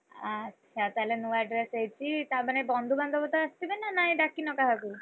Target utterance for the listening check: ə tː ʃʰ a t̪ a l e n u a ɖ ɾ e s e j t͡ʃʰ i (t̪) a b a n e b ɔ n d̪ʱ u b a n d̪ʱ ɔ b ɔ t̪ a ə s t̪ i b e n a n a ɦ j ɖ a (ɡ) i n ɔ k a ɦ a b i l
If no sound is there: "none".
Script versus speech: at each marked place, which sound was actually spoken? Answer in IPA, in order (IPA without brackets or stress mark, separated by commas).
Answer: t̪, k